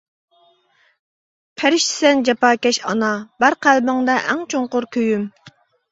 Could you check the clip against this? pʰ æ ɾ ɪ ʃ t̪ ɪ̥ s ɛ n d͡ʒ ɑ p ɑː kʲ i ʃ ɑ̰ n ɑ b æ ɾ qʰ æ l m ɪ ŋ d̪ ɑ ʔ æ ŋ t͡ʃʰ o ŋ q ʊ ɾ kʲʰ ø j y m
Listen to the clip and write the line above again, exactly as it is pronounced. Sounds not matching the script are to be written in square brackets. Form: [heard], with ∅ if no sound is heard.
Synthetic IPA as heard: pʰ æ ɾ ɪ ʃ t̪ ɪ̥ s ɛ n d͡ʒ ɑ p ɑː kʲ [ɛ] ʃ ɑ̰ n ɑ b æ ɾ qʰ æ l [b] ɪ ŋ d̪ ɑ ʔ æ ŋ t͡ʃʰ o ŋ q ʊ ɾ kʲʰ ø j y m

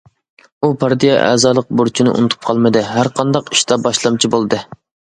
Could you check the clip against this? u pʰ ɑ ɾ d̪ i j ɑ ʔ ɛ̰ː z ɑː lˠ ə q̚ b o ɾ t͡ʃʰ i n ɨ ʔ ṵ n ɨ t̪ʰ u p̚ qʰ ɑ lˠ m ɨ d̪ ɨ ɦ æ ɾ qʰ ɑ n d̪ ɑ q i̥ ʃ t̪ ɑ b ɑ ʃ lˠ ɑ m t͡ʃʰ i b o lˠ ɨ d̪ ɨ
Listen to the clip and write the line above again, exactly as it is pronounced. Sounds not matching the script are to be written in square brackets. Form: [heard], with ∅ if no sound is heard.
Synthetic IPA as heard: u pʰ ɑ ɾ d̪ i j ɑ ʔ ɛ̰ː z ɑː lˠ ə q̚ b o ɾ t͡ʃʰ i n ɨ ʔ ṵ n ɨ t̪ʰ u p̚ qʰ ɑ lˠ m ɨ d̪ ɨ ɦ æ ɾ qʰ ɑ n d̪ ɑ q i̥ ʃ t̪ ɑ b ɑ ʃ lˠ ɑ m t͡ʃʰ i b o lˠ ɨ d̪ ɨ

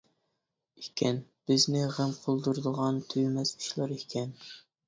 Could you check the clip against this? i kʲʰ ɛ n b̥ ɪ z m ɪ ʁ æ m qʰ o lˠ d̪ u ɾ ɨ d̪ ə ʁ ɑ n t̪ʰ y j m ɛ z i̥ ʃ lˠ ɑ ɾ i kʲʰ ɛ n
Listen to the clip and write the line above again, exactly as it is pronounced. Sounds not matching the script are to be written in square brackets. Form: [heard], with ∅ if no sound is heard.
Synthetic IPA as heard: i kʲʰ ɛ n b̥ ɪ z [n] ɪ ʁ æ m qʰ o lˠ d̪ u ɾ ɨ d̪ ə ʁ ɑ n t̪ʰ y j m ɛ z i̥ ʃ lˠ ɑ ɾ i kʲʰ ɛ n

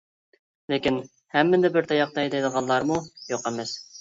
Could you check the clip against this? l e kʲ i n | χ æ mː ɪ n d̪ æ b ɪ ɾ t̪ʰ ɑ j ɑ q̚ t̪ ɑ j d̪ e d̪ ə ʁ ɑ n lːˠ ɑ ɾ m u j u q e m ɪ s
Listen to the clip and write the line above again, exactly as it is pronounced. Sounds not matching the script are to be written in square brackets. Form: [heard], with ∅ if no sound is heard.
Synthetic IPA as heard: l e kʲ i n | [h] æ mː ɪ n d̪ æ b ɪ ɾ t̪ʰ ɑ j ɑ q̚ t̪ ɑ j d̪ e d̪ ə ʁ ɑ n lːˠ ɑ ɾ m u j [o] q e m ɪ s

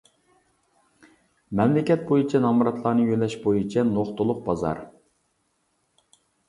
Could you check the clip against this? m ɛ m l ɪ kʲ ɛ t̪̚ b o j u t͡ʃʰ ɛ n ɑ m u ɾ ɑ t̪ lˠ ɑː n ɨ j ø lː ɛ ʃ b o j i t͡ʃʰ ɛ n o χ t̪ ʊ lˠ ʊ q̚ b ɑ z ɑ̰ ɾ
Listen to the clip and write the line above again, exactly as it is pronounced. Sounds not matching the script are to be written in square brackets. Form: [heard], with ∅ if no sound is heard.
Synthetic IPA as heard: m ɛ m l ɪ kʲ ɛ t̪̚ b o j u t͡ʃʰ ɛ n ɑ m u ɾ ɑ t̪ lˠ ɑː n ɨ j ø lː ɛ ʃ b o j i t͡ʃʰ ɛ n o χ t̪ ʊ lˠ ʊ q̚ b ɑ z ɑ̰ ɾ

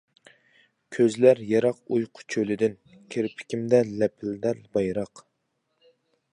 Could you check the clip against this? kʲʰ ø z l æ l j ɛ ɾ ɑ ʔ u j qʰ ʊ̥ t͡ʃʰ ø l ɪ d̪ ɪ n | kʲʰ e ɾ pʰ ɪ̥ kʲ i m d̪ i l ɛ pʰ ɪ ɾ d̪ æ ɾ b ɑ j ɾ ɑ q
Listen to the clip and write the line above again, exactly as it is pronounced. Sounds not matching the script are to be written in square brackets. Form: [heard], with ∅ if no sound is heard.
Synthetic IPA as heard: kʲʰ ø z l æ [ɾ] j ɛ ɾ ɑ [q] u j qʰ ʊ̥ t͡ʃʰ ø l ɪ d̪ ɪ n | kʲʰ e ɾ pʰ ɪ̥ kʲ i m d̪ [ɛ] l ɛ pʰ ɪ [l] d̪ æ ɾ b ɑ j ɾ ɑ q

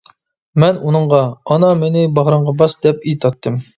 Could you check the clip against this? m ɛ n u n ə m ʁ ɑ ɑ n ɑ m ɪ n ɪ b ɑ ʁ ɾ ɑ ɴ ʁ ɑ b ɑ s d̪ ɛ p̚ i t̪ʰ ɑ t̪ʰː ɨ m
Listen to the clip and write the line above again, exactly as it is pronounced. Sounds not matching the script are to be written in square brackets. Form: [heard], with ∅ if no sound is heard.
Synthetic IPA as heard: m ɛ n u n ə [ɴ] ʁ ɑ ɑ n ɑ m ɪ n ɪ b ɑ ʁ ɾ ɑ ɴ ʁ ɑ b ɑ s d̪ ɛ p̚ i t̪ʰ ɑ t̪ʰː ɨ m

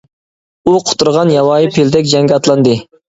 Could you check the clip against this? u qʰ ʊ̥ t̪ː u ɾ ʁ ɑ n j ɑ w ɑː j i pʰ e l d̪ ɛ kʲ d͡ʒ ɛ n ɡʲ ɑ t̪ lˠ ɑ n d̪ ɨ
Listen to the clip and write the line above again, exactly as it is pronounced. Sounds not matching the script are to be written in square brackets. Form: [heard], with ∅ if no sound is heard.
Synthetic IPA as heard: u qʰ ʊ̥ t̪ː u ɾ ʁ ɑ n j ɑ w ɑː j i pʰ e l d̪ ɛ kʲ d͡ʒ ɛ [ŋ] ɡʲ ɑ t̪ lˠ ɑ n d̪ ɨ

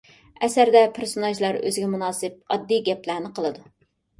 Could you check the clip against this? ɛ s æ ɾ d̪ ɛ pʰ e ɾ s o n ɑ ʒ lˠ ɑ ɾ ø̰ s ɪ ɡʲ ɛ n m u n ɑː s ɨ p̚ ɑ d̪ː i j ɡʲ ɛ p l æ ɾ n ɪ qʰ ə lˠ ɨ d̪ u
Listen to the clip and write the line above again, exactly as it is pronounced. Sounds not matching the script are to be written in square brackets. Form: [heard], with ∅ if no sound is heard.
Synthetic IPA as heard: ɛ s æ ɾ d̪ ɛ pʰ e ɾ s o n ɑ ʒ lˠ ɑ ɾ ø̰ [z] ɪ ɡʲ ɛ [∅] m u n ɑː s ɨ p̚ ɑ d̪ː i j ɡʲ ɛ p l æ ɾ n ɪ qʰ ə lˠ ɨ d̪ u

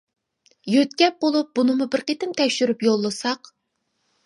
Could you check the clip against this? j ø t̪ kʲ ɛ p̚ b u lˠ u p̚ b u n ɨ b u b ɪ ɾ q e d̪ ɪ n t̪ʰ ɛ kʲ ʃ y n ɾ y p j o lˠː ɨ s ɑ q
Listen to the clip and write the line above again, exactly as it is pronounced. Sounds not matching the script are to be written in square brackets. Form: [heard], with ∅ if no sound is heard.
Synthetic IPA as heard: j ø t̪ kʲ ɛ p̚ b [o] lˠ u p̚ b u n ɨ [m] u b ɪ ɾ q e [t̪] ɪ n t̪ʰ ɛ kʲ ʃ y [∅] ɾ y p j o lˠː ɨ s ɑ q

